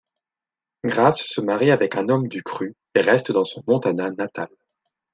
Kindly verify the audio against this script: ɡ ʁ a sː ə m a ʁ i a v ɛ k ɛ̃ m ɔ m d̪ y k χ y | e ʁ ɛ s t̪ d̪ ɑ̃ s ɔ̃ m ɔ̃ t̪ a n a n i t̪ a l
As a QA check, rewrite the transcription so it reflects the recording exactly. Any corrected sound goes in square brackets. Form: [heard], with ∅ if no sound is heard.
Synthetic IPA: ɡ ʁ a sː ə m a ʁ i a v ɛ k ɛ̃ [n] ɔ m d̪ y k χ y | e ʁ ɛ s t̪ d̪ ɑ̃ s ɔ̃ m ɔ̃ t̪ a n a n [a] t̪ a l